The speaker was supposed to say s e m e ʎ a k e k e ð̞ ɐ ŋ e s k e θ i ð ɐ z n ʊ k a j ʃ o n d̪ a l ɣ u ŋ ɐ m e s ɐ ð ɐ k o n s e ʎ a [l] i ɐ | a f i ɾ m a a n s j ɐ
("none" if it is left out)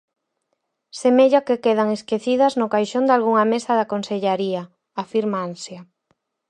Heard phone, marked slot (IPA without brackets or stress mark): ɾ